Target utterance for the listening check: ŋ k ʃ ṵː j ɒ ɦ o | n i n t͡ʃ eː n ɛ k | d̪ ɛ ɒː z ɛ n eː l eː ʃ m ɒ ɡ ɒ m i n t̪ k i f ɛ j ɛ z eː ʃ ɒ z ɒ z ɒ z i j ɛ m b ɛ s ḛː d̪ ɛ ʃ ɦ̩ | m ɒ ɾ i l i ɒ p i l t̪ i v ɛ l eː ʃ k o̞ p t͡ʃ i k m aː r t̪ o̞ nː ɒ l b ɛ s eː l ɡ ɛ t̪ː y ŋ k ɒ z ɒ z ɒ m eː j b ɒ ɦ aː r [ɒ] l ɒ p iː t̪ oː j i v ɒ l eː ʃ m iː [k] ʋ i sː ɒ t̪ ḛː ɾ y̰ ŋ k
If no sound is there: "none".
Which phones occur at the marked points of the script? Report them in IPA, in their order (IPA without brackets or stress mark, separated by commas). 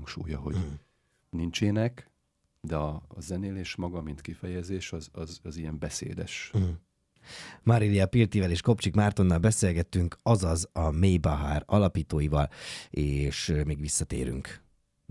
ɒ, ɡ